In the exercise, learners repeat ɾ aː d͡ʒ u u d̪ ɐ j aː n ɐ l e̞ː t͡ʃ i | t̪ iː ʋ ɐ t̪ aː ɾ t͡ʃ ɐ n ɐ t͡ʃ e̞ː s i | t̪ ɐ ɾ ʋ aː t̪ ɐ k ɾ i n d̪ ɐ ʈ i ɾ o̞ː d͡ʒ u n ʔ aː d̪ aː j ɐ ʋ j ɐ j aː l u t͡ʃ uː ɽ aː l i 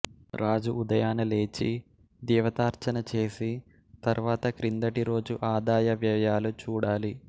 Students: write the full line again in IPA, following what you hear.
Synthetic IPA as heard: ɾ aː d͡ʒ u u d̪ ɐ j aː n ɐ l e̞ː t͡ʃ i | d̪ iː ʋ ɐ t̪ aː ɾ t͡ʃ ɐ n ɐ t͡ʃ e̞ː s i | t̪ ɐ ɾ ʋ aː t̪ ɐ k ɾ i n d̪ ɐ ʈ i ɾ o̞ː d͡ʒ u ʔ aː d̪ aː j ɐ ʋ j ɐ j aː l u t͡ʃ uː ɽ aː l i